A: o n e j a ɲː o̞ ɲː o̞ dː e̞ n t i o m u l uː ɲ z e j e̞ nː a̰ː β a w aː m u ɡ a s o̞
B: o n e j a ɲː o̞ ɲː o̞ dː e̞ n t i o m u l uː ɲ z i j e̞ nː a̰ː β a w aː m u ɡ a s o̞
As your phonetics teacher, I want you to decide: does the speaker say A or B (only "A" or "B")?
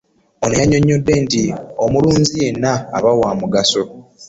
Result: B